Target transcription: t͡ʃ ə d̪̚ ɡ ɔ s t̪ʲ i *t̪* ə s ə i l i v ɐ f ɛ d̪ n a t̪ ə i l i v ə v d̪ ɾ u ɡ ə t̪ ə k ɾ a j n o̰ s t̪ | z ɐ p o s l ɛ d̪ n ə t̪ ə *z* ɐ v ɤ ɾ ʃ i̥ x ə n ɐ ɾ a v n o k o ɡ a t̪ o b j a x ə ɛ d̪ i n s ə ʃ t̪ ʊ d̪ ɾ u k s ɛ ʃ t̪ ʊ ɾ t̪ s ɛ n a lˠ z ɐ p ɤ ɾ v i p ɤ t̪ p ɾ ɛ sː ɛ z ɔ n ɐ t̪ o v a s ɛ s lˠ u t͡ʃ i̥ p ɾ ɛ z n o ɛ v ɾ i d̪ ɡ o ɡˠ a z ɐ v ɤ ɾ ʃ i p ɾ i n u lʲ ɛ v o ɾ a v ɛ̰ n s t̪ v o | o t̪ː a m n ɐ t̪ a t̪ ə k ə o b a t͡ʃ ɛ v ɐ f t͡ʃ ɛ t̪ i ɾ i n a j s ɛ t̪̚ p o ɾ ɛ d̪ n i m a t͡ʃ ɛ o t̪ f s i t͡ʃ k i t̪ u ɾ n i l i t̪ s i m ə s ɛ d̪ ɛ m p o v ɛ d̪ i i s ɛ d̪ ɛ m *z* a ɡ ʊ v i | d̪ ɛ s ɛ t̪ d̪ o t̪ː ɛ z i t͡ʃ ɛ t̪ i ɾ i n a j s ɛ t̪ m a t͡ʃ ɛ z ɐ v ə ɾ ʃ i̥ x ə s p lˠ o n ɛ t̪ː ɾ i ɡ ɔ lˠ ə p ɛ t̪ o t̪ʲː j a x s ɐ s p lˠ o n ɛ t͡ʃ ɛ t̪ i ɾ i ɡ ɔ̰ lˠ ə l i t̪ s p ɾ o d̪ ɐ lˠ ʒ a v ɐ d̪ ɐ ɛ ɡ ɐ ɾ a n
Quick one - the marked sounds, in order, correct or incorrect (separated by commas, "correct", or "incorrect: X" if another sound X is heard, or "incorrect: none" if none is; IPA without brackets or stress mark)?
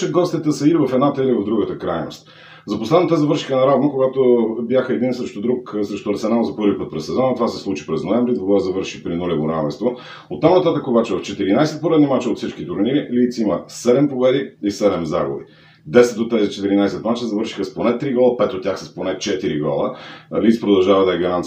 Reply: correct, correct, correct